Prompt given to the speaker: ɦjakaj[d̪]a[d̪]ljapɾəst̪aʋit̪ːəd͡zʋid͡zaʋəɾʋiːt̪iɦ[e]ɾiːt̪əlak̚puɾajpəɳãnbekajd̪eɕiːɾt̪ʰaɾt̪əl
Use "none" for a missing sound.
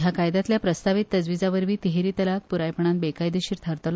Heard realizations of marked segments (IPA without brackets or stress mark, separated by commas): d̪, t̪, e